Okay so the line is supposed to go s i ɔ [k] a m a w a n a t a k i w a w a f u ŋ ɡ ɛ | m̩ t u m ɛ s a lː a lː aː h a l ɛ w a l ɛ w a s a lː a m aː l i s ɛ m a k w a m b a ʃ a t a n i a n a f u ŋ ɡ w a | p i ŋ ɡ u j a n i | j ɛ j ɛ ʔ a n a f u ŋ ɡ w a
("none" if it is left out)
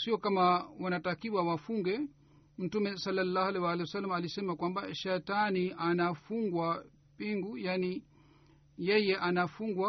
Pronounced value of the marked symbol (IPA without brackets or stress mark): k